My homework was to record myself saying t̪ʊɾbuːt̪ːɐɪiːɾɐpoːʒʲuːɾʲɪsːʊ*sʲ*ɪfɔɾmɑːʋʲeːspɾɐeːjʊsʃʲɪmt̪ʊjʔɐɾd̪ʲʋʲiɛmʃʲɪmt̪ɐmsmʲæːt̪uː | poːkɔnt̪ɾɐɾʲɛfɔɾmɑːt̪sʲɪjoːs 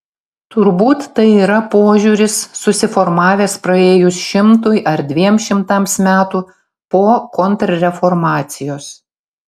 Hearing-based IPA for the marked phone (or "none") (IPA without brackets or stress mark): sʲ